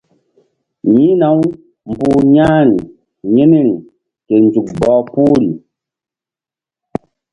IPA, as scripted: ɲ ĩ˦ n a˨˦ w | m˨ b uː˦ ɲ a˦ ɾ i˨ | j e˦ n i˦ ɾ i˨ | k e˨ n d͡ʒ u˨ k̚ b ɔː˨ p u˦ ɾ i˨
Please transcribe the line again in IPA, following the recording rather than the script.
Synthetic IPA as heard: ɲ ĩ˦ n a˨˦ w | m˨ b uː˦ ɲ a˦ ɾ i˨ | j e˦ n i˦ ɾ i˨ | k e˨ n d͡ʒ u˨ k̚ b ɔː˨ p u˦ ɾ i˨

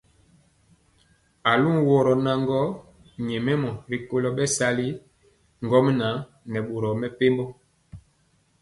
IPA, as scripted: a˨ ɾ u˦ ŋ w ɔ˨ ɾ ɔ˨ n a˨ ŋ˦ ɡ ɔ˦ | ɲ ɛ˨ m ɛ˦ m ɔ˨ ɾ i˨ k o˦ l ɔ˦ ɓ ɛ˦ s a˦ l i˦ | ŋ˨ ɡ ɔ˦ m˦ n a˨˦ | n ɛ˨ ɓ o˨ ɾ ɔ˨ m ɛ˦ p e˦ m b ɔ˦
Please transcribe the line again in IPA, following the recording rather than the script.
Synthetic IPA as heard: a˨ l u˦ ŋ w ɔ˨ ɾ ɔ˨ n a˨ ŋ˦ ɡ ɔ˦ | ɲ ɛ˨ m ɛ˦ m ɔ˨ ɾ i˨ k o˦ l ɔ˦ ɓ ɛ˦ s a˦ l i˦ | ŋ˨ ɡ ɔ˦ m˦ n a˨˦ | n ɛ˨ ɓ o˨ ɾ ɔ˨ m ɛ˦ p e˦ m b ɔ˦

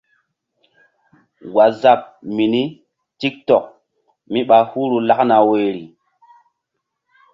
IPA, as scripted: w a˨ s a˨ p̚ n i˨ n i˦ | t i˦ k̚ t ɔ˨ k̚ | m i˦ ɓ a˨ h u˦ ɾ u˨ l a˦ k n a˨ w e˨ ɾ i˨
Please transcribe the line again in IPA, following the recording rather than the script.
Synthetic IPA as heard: w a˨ z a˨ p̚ m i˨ n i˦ | t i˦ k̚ t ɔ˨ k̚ | m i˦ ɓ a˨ h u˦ ɾ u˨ l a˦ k n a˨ w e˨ ɾ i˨

